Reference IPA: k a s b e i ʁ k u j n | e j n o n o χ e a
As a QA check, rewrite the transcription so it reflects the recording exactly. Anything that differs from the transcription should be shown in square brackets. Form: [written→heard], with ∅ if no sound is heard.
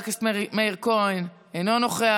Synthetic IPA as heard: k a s [b→m] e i ʁ k [u→o] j n | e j n o n o χ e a